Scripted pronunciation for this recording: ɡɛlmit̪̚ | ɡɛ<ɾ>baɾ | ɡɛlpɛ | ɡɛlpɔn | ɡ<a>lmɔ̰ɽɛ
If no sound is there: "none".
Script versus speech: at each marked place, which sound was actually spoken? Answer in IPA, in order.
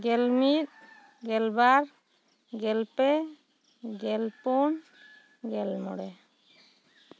l, ɛ

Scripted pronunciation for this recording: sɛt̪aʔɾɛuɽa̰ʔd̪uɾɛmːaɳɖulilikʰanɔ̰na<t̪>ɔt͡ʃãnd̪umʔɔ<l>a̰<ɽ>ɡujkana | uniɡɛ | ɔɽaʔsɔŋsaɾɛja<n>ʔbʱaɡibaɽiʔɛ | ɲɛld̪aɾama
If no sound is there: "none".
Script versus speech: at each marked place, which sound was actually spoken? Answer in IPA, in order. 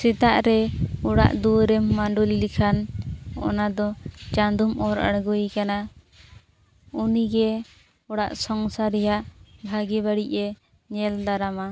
d̪, ɾ, ɽ, none

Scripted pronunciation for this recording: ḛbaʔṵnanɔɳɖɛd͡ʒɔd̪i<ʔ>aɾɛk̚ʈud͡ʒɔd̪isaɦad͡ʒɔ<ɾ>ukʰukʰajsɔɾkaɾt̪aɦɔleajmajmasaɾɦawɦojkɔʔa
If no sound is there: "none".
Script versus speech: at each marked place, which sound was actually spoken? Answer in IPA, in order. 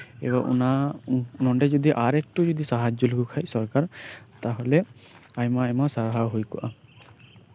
ʔ, l

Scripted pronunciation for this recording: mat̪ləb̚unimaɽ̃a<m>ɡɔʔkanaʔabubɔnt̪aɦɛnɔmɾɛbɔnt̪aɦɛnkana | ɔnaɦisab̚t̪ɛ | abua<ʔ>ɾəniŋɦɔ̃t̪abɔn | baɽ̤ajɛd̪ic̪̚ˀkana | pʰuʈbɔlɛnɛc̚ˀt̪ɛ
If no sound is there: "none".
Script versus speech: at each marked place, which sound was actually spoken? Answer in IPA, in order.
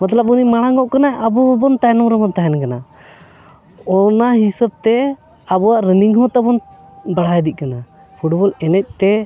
ŋ, ʔ

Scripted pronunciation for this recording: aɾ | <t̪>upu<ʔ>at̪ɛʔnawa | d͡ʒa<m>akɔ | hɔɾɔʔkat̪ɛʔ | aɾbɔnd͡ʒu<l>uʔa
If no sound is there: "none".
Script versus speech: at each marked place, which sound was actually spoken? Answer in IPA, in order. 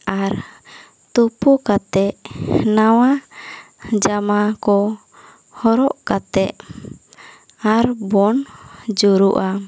t̪, k, m, ɾ

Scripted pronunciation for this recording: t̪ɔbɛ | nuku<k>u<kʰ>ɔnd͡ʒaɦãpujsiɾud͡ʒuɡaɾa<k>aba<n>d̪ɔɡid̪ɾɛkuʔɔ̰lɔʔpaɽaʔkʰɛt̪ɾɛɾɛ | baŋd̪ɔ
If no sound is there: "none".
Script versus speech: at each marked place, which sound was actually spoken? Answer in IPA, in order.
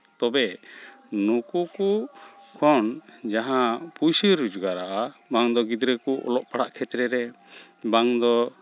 k, kʰ, ʔ, ŋ

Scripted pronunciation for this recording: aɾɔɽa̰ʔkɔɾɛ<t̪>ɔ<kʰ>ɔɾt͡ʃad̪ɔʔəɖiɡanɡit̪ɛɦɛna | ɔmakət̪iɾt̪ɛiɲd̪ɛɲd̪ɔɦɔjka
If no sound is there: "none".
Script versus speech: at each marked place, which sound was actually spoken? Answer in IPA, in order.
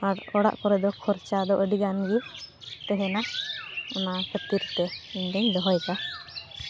d̪, kʰ

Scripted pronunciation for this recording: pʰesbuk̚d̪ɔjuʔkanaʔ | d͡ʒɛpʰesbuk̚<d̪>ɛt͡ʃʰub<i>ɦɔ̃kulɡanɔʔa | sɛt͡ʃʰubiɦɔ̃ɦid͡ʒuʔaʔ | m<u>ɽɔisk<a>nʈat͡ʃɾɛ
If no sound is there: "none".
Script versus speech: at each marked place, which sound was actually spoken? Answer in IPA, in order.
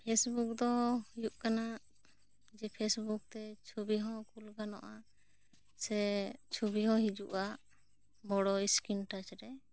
t̪, i, ɔ, i

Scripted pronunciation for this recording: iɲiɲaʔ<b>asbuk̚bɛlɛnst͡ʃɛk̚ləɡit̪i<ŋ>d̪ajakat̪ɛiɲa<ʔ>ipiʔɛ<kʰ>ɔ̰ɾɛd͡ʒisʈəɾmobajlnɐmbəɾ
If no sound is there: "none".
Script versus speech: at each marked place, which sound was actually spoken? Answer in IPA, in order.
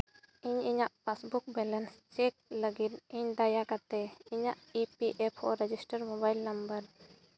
p, ɲ, ʔ, pʰ

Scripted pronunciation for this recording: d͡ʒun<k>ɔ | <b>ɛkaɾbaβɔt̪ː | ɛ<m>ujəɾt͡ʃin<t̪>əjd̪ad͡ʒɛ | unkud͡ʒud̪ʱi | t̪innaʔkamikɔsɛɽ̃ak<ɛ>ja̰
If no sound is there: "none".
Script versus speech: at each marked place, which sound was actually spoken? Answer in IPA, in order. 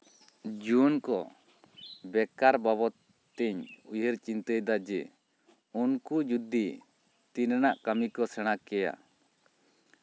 k, b, ɲ, t̪, ɛ

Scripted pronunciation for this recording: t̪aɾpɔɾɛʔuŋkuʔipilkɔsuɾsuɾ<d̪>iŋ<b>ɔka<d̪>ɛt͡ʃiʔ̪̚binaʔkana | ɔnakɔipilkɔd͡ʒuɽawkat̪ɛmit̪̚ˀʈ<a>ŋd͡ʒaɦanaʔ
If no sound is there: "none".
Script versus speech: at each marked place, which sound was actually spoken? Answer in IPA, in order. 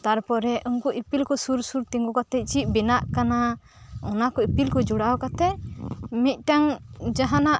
t̪, ɡ, t̪, a

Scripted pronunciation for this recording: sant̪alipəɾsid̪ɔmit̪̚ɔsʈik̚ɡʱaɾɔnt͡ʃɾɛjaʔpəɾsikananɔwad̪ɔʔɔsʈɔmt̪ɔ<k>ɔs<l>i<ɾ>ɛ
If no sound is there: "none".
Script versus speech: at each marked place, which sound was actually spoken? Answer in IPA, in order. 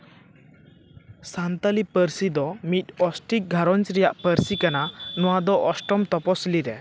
p, l, ɾ

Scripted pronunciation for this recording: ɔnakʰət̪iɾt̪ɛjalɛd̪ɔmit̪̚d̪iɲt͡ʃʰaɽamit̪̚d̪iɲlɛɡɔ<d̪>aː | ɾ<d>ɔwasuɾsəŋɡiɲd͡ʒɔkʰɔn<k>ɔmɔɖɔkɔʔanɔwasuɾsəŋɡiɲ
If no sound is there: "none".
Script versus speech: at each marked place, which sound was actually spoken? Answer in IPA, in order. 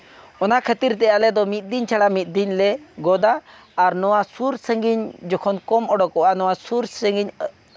d̪, n, k

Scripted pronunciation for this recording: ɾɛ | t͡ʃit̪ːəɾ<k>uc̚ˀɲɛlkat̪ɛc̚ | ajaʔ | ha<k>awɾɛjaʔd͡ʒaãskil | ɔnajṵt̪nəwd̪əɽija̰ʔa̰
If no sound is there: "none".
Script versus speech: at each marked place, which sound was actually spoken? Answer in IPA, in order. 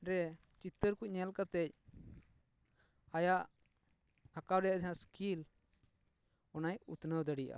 k, k

